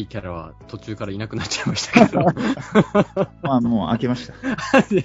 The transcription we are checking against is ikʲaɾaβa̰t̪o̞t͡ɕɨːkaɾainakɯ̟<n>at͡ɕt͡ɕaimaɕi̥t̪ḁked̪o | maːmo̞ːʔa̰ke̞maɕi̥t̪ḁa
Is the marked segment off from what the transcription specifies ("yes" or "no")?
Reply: no